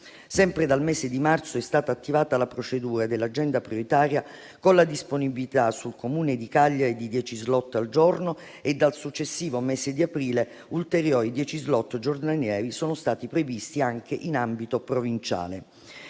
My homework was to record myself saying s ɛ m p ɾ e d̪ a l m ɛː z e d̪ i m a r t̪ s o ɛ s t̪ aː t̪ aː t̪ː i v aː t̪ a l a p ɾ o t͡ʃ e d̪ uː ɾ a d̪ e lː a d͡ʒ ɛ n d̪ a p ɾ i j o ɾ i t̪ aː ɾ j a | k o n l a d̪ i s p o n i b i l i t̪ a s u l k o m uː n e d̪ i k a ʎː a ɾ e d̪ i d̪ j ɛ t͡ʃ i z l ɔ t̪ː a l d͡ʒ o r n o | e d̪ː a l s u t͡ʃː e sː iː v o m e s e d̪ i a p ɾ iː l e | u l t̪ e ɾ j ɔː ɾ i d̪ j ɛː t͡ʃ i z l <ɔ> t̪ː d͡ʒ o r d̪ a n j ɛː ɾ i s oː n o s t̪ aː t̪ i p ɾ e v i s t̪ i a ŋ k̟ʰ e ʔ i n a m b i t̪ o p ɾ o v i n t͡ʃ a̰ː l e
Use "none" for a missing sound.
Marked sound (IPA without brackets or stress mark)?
ɔ